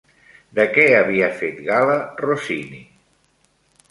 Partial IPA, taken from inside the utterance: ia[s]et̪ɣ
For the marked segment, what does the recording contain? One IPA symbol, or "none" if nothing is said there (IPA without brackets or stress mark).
f